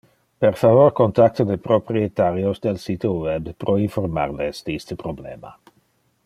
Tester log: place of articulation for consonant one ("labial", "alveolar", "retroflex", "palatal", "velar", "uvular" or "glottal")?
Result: labial